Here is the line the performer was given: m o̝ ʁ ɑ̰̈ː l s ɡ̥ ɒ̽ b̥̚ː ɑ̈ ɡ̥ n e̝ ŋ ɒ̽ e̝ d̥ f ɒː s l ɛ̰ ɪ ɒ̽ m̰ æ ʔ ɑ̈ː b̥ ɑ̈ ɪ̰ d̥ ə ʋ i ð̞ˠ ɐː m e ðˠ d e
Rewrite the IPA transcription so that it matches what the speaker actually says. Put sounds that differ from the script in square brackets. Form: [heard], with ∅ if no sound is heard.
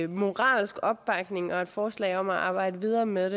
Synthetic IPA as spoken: m o̝ ʁ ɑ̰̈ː l s ɡ̥ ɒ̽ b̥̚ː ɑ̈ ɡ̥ n e̝ ŋ ɒ̽ e̝ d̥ f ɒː s l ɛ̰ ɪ ɒ̽ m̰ æ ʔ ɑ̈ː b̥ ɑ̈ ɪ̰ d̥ ə ʋ i ð̞ˠ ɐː m e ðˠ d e

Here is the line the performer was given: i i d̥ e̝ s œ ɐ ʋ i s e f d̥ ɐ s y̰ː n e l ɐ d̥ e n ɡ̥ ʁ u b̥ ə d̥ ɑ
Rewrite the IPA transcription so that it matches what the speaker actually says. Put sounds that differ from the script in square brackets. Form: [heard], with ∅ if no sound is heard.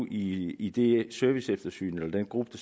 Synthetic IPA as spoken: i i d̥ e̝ s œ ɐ ʋ i s e f d̥ ɐ s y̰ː n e l ɐ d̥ e n ɡ̥ ʁ u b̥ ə d̥ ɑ

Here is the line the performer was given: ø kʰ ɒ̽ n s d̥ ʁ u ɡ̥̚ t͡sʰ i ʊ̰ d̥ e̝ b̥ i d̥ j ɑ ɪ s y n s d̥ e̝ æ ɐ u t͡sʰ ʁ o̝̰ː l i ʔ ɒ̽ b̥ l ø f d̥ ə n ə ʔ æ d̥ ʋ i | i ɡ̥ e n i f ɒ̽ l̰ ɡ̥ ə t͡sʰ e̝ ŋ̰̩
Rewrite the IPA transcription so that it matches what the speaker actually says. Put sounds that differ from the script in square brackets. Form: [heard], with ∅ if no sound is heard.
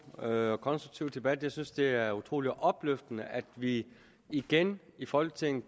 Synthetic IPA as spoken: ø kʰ ɒ̽ n s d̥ ʁ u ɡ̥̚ t͡sʰ i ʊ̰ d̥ e̝ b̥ [æ] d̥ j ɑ ɪ s y n s d̥ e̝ æ ɐ u t͡sʰ ʁ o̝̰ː l i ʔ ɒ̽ b̥ l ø f d̥ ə n ə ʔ æ d̥ ʋ i | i ɡ̥ e n i f ɒ̽ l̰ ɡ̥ ə t͡sʰ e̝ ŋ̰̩

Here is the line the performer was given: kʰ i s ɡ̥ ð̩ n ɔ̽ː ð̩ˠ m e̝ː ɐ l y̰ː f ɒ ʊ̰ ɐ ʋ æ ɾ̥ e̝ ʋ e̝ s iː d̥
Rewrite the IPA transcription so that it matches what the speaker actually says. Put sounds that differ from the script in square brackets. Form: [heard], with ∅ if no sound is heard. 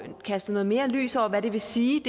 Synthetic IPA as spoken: kʰ [æ] s [d̥] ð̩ n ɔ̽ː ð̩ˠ m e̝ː ɐ l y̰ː [s] ɒ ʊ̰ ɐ ʋ æ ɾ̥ e̝ ʋ e̝ s iː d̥

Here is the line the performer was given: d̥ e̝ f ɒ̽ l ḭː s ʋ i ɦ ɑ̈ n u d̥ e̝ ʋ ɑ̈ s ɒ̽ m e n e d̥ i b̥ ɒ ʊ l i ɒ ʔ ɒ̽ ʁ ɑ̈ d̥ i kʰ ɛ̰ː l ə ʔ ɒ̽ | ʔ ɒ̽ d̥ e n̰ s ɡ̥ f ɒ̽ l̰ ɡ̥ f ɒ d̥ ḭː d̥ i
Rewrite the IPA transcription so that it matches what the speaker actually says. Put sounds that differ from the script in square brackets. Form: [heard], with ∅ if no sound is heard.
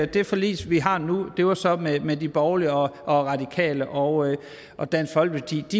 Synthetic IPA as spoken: d̥ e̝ f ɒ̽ l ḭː s ʋ i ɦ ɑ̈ n u d̥ e̝ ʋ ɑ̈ s ɒ̽ m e [m] e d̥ i b̥ ɒ ʊ l i ɒ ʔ ɒ̽ ʁ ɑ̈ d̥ i kʰ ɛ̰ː l ə ʔ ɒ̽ | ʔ ɒ̽ d̥ [æ] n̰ s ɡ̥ f ɒ̽ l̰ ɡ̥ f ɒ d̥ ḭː d̥ i

